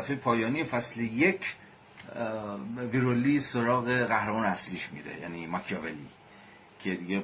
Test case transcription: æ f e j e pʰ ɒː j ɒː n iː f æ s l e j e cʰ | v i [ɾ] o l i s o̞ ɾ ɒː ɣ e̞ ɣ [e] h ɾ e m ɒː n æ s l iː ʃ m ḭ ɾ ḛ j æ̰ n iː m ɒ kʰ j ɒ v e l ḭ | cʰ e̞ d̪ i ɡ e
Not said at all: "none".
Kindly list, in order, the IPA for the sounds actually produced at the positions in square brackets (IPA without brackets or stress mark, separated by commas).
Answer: ɾ, æ